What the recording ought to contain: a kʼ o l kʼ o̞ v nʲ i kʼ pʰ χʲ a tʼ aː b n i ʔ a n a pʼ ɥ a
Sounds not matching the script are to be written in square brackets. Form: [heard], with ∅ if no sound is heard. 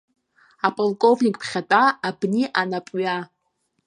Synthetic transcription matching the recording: a [pʼ] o l kʼ o̞ v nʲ i kʼ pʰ χʲ a tʼ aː b n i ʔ a n a pʼ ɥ a